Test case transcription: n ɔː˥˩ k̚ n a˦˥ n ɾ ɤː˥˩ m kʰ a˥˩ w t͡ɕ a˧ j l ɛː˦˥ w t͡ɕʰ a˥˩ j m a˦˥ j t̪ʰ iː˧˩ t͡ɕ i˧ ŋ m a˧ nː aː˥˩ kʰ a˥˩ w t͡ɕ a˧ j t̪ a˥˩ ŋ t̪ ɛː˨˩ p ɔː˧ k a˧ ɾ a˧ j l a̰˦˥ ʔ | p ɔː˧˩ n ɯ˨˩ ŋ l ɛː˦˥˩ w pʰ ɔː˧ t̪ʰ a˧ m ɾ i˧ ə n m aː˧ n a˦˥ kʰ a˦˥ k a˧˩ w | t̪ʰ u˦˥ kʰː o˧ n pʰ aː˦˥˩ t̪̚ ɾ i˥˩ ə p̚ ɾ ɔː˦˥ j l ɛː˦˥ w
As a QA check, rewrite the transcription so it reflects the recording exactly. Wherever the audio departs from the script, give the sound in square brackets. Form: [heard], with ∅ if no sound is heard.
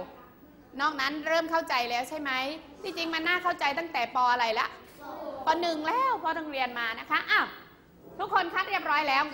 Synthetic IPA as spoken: n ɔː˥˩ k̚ n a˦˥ n ɾ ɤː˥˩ m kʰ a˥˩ w t͡ɕ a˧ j l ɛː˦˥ w t͡ɕʰ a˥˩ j m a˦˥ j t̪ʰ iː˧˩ t͡ɕ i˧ ŋ m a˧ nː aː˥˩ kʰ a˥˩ w t͡ɕ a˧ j t̪ a˥˩ ŋ t̪ ɛː˨˩ p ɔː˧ [ʔ] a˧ ɾ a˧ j l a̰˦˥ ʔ | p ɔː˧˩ n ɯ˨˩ ŋ l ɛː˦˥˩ w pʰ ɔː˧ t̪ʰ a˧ [ŋ] ɾ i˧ ə n m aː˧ n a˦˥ kʰ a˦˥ [ʔ] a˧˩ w | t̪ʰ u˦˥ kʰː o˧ n [kʰ] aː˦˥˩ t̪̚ ɾ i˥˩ ə p̚ ɾ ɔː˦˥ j l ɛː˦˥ w